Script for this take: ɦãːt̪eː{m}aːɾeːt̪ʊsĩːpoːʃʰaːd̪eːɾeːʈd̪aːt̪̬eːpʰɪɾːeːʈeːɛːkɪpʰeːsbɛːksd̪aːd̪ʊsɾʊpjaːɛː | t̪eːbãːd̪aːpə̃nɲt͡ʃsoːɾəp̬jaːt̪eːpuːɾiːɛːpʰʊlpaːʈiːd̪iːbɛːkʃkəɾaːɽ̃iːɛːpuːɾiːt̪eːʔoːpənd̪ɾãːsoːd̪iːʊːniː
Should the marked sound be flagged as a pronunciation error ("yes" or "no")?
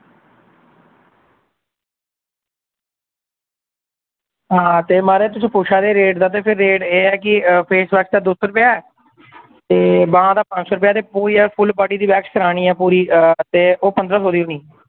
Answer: no